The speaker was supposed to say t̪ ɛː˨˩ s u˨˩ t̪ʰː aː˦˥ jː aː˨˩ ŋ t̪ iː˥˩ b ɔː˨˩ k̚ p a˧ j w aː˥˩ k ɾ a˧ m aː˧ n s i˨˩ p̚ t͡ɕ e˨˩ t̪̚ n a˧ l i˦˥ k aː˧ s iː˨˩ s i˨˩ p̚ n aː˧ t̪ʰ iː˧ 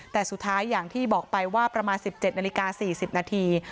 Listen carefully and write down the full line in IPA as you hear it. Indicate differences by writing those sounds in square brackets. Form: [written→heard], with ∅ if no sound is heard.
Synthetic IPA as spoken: t̪ ɛː˨˩ s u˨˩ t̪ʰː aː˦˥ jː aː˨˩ ŋ [t̪→t̪ʰ] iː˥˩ b ɔː˨˩ k̚ p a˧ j w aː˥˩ [k→p] ɾ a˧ m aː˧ n s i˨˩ p̚ t͡ɕ e˨˩ t̪̚ n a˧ l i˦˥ k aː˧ s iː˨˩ s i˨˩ p̚ n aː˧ t̪ʰ iː˧